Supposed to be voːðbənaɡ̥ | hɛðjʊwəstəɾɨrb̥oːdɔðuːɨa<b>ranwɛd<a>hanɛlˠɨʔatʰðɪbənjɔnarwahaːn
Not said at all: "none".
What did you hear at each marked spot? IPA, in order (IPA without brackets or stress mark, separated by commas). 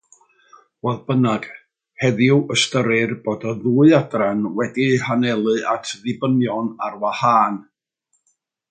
d, i